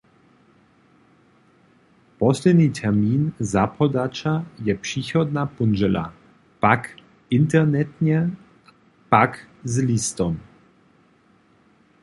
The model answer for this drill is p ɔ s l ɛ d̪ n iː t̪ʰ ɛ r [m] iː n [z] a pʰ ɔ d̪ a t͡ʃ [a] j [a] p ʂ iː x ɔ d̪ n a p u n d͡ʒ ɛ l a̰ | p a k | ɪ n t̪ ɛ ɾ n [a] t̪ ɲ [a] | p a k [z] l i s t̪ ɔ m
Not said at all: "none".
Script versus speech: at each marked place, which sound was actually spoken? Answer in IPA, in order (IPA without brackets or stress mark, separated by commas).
m, z, a, ɛ, ɛ, ɛ, z